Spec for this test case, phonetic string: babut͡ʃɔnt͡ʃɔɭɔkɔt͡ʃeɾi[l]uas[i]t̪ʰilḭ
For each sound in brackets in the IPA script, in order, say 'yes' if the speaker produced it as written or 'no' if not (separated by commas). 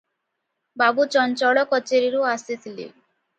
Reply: no, yes